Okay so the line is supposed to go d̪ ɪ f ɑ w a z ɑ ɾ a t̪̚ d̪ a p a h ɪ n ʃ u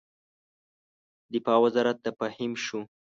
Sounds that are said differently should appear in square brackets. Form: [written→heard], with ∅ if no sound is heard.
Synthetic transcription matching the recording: d̪ ɪ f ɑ w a z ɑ ɾ a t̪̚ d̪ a p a h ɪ [n→m] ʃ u